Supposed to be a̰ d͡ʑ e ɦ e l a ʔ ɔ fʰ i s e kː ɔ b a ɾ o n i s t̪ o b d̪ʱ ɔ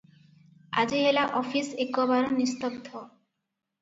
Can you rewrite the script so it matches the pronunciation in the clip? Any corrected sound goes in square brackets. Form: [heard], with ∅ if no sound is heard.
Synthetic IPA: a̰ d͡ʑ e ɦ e l a ʔ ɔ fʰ i s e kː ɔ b a ɾ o n i s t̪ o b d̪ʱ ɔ